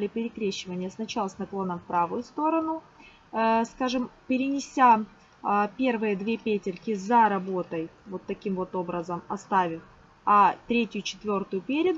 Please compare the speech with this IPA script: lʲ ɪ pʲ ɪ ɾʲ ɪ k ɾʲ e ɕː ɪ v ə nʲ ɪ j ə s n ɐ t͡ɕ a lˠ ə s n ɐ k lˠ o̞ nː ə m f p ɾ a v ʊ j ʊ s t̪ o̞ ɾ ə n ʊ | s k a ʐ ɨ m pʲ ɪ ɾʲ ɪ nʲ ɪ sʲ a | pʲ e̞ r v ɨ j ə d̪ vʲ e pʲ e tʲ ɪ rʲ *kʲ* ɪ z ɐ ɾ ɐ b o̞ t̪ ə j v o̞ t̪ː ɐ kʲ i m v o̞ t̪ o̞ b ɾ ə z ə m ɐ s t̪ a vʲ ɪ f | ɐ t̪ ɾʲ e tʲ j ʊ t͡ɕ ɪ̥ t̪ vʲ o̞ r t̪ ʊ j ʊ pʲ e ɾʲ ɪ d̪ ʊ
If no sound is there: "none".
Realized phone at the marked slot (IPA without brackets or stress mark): kʲ